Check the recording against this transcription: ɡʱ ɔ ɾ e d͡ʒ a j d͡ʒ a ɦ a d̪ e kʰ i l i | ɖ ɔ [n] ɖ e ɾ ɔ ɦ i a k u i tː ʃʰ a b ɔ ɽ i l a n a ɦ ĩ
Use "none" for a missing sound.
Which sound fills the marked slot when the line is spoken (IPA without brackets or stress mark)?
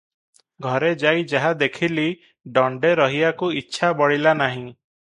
ɳ